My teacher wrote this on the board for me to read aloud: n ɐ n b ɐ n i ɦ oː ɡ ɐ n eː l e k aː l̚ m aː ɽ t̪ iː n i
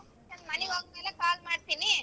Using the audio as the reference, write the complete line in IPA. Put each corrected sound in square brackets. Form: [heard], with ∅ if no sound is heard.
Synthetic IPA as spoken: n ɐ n [m] ɐ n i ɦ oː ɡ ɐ [m] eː l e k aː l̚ m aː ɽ t̪ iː n i